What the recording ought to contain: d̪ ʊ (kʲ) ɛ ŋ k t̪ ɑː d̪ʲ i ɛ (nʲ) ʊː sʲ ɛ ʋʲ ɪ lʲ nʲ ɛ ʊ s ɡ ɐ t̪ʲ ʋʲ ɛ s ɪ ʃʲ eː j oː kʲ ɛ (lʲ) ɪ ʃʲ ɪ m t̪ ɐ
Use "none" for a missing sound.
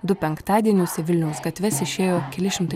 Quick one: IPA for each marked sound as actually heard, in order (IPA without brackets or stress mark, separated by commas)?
pʲ, nʲ, lʲ